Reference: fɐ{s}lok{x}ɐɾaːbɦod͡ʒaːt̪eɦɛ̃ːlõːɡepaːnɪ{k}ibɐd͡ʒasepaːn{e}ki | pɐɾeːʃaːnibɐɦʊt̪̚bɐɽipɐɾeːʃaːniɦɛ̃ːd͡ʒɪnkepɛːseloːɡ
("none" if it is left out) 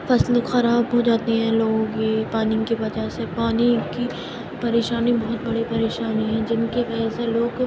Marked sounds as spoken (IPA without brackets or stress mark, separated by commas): s, x, k, i